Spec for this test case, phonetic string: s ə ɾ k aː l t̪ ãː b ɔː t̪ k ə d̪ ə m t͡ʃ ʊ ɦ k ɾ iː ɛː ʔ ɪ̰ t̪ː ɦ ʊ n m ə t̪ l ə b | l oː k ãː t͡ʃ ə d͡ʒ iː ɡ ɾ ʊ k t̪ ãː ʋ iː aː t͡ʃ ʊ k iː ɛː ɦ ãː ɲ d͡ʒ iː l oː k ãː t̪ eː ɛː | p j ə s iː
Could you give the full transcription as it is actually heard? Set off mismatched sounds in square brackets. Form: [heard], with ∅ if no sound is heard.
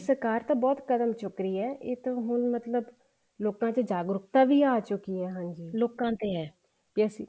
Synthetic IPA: s ə ɾ k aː [ɾ] t̪ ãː b ɔː t̪ k ə d̪ ə m t͡ʃ ʊ [∅] k ɾ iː ɛː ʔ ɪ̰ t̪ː ɦ ʊ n m ə t̪ l ə b | l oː k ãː t͡ʃ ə d͡ʒ [aː] ɡ ɾ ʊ k t̪ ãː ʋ iː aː t͡ʃ ʊ k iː ɛː ɦ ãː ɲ d͡ʒ iː l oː k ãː t̪ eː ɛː | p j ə s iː

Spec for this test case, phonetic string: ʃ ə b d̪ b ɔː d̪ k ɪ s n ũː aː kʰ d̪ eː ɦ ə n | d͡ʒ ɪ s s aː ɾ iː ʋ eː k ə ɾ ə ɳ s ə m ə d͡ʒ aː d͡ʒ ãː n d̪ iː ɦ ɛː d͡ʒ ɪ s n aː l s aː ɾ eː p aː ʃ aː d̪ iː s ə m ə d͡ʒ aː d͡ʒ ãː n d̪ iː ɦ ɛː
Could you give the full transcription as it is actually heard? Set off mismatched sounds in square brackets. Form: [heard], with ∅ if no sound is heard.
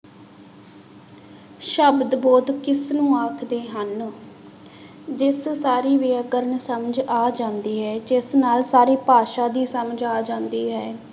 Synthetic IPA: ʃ ə b d̪ b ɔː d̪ k ɪ s n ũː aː kʰ d̪ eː ɦ ə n | d͡ʒ ɪ s s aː ɾ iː ʋ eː k ə ɾ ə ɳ s ə m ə d͡ʒ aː d͡ʒ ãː n d̪ iː ɦ ɛː d͡ʒ ɪ s n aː l s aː ɾ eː p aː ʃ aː d̪ iː s ə m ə d͡ʒ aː d͡ʒ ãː n d̪ iː ɦ ɛː

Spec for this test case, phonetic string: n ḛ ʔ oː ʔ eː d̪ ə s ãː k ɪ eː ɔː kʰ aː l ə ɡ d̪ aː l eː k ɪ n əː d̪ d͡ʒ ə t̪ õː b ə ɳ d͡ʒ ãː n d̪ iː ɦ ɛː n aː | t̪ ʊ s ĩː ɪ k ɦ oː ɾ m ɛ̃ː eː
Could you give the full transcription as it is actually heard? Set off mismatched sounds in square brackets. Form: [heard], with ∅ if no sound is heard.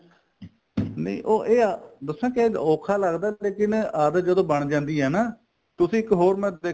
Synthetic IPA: n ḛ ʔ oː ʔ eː d̪ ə s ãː k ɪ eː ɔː kʰ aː l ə ɡ d̪ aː l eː k ɪ n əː d̪ d͡ʒ ə [d̪] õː b ə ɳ d͡ʒ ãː n d̪ iː ɦ ɛː n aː | t̪ ʊ s ĩː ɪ k ɦ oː ɾ m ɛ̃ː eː

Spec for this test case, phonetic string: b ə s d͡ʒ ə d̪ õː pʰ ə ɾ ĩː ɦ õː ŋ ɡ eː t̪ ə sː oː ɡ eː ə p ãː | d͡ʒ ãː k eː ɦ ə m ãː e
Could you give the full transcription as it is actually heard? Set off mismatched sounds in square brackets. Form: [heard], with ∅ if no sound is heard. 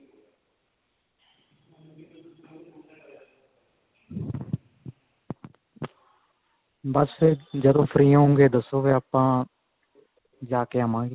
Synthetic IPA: b ə s d͡ʒ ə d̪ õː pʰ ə ɾ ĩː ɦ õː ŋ ɡ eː [d̪] ə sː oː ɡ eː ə p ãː | d͡ʒ [aː] k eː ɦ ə m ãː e

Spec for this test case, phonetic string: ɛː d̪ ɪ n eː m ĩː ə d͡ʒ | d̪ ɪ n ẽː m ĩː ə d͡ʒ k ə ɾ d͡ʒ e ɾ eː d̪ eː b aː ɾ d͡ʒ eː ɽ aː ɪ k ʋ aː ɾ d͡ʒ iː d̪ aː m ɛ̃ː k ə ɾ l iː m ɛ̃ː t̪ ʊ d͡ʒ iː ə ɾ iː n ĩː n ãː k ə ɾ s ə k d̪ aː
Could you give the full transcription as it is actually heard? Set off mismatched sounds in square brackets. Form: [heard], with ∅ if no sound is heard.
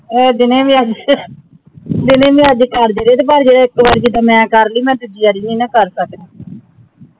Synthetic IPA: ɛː d̪ ɪ n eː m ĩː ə d͡ʒ | d̪ ɪ n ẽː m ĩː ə d͡ʒ k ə ɾ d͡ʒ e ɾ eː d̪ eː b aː ɾ d͡ʒ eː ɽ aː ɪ k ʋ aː ɾ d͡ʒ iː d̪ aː m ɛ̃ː k ə ɾ l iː m ɛ̃ː t̪ ʊ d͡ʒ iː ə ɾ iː n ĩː n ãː k ə ɾ s ə k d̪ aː

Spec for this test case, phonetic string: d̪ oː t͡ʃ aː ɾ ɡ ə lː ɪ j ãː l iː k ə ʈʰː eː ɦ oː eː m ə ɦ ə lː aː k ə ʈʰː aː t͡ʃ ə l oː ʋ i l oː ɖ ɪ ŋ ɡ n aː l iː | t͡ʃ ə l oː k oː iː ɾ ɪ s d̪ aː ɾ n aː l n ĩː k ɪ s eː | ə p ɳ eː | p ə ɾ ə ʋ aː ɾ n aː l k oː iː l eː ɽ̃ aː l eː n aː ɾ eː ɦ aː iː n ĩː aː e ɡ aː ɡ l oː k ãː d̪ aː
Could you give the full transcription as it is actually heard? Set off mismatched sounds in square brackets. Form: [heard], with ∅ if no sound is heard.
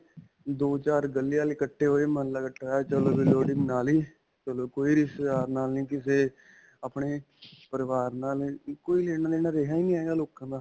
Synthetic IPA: d̪ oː t͡ʃ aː ɾ ɡ ə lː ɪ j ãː l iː k ə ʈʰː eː ɦ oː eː m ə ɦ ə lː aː k ə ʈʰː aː t͡ʃ ə l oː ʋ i l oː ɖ ɪ ŋ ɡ n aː l iː | t͡ʃ ə l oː k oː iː ɾ ɪ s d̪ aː ɾ n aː l n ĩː k ɪ s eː | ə p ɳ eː | p ə ɾ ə ʋ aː ɾ n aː l k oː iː l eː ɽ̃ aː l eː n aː ɾ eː ɦ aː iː n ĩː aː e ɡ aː [∅] l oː k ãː d̪ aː

